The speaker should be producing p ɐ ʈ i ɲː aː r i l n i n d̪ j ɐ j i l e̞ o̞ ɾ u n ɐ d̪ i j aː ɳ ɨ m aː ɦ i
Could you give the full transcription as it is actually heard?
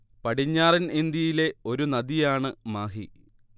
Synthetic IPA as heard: p ɐ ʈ i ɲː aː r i n i n d̪ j ɐ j i l e̞ o̞ ɾ u n ɐ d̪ i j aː ɳ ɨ m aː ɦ i